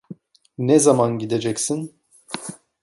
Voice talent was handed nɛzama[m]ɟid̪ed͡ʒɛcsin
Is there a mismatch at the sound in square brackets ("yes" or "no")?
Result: yes